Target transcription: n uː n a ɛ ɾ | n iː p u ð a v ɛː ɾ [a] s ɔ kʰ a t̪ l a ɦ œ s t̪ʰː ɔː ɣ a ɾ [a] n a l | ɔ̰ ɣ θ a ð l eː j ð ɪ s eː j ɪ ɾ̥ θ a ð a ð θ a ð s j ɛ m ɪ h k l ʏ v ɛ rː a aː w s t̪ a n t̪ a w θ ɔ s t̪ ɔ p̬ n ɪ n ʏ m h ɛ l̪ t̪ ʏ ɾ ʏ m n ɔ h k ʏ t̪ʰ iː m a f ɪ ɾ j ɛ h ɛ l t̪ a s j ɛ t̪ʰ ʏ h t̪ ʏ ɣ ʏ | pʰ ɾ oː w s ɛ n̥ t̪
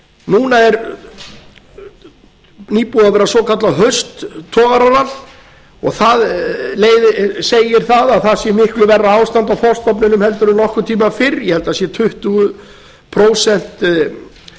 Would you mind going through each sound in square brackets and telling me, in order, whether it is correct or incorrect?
correct, correct

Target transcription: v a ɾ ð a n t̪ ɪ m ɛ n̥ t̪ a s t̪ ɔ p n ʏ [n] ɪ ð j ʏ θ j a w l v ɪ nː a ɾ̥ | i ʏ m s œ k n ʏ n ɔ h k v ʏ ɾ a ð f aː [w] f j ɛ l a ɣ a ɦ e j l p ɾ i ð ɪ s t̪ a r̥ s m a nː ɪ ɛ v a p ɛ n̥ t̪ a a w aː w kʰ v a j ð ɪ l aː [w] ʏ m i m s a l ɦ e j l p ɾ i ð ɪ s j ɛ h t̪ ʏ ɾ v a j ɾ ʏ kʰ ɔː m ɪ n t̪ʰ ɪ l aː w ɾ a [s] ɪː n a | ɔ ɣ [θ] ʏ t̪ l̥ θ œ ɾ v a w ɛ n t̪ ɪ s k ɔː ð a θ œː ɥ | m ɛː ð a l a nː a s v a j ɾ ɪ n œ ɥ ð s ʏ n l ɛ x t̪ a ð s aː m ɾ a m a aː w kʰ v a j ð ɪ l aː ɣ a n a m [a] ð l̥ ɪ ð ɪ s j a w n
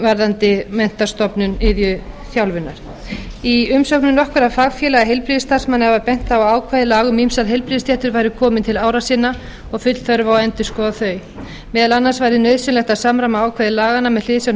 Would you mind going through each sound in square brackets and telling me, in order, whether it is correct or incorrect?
correct, incorrect, incorrect, correct, incorrect, incorrect

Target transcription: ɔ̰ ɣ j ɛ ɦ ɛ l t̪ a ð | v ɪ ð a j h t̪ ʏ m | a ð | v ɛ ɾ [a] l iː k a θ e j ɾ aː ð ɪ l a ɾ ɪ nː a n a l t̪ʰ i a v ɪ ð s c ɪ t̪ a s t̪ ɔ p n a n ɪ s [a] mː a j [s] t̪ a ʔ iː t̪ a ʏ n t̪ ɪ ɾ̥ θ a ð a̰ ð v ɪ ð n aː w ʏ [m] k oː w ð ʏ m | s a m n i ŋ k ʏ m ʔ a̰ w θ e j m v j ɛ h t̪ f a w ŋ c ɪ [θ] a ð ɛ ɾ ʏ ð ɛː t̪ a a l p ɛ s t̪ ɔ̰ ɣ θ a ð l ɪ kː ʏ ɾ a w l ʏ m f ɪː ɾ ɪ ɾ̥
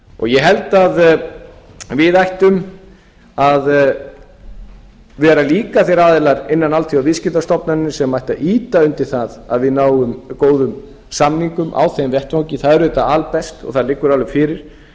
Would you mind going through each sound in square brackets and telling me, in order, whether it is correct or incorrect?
correct, incorrect, incorrect, correct, correct

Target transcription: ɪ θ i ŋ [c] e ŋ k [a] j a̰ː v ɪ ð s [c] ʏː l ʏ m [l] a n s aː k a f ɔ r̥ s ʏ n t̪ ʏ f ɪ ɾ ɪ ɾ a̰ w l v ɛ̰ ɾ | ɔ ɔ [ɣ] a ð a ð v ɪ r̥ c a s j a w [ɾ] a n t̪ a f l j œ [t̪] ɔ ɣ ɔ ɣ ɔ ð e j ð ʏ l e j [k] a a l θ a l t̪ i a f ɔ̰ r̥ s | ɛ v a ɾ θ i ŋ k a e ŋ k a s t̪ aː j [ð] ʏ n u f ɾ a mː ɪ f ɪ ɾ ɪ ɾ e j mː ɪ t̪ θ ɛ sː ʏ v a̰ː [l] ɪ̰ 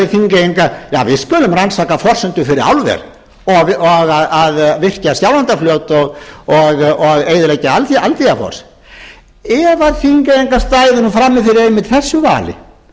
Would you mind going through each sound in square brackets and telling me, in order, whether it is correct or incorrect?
incorrect, correct, incorrect, incorrect, correct, incorrect, correct, incorrect, correct, correct

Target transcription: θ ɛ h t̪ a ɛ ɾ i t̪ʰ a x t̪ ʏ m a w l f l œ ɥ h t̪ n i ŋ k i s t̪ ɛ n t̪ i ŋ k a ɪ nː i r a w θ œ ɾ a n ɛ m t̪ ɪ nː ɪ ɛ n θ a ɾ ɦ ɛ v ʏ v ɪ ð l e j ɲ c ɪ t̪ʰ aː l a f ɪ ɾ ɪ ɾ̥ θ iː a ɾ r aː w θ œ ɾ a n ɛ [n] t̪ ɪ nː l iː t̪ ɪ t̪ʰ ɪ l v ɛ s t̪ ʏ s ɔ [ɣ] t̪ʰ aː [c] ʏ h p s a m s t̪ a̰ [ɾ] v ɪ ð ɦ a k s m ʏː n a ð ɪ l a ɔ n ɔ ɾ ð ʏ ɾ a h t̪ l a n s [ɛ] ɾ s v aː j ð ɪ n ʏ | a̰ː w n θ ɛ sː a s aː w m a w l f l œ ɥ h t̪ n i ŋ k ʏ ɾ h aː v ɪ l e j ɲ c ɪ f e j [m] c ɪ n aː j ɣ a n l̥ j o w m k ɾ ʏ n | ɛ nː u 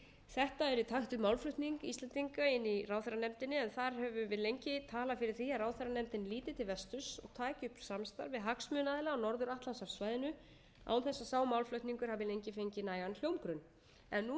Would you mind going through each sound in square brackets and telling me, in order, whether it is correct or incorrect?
incorrect, correct, correct, correct, incorrect, incorrect

